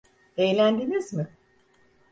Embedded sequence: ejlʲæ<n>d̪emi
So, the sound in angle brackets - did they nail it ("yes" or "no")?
yes